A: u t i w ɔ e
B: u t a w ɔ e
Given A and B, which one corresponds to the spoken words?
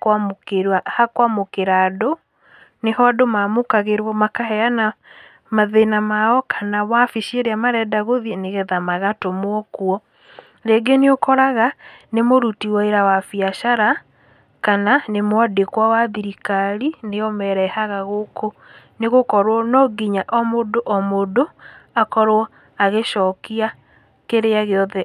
A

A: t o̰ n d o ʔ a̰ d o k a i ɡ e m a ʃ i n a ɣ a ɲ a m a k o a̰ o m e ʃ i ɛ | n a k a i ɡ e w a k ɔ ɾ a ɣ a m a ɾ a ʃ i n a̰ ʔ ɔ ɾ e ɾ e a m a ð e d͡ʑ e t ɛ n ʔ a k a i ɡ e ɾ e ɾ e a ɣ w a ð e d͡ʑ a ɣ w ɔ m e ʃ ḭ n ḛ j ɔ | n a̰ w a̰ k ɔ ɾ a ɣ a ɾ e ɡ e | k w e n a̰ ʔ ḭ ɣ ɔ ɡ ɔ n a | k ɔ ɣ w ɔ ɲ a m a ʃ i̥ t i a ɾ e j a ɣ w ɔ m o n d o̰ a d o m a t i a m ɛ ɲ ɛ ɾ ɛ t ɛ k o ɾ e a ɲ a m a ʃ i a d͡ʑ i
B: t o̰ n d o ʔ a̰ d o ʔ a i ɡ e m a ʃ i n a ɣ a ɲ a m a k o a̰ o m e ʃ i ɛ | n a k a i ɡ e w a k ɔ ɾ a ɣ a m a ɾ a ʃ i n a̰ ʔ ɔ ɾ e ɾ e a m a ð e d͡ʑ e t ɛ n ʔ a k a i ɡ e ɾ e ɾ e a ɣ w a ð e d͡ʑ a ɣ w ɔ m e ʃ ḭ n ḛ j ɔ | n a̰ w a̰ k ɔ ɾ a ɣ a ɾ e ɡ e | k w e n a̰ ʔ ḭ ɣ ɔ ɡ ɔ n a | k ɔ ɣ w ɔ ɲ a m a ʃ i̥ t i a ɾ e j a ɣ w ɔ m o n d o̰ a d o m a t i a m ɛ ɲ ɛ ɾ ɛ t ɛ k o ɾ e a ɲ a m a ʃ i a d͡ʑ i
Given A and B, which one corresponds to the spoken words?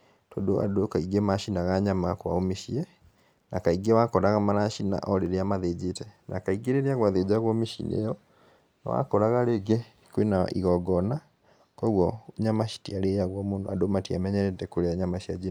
A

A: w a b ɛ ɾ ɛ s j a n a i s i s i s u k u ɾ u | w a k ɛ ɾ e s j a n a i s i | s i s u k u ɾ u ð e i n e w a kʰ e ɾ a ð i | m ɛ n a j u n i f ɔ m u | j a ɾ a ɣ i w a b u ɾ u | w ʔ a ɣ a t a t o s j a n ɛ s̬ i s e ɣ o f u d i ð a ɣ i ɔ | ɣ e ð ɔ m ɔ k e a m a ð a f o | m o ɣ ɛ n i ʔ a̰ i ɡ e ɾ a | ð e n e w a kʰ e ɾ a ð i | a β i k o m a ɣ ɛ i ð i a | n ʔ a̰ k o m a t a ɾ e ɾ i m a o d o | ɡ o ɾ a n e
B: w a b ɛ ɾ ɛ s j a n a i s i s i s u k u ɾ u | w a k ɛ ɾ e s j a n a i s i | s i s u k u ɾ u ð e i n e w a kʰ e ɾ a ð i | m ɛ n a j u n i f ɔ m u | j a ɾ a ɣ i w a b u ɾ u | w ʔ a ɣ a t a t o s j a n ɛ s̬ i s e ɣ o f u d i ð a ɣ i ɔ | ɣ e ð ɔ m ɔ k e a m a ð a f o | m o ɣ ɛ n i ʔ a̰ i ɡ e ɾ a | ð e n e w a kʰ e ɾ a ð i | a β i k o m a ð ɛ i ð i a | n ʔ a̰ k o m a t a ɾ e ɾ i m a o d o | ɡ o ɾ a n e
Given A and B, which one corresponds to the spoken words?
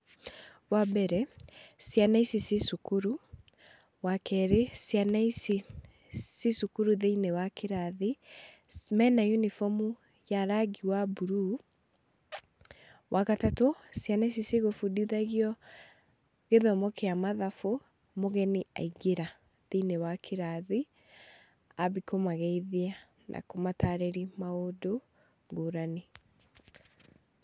A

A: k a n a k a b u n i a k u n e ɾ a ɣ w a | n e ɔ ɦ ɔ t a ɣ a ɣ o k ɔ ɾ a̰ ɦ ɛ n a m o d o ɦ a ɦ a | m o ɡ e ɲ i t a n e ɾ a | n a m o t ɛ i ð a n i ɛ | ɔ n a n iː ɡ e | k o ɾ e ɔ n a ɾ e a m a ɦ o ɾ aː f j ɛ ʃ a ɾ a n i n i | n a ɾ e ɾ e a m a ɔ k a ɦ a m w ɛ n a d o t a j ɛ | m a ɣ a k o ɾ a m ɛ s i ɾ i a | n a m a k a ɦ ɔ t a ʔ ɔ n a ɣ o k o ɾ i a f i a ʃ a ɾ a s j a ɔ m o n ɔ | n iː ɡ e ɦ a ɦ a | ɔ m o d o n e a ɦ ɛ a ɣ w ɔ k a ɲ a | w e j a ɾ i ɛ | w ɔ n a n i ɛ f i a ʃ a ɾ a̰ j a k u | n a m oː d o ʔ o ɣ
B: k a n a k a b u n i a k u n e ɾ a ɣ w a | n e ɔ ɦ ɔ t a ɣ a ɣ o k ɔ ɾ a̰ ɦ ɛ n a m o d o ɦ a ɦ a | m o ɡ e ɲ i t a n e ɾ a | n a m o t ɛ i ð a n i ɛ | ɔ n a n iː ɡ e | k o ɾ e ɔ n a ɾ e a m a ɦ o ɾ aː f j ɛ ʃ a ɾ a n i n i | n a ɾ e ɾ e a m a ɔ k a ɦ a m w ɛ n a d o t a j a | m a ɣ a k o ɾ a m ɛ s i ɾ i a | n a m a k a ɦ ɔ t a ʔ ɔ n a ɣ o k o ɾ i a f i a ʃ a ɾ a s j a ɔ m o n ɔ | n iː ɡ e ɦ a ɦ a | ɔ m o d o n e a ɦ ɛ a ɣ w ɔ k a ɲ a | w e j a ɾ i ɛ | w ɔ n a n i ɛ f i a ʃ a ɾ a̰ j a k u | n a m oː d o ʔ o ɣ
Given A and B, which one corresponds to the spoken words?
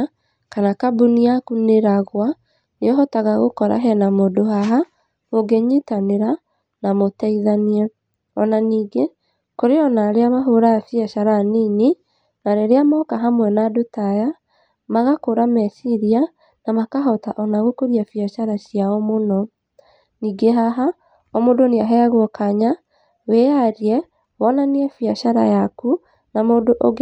B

